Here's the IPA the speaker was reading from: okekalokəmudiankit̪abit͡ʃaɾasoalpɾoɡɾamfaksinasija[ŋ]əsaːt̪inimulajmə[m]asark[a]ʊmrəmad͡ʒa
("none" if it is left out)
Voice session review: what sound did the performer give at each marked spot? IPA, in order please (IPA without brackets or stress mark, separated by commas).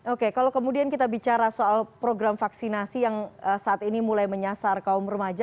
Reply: ŋ, ɲ, a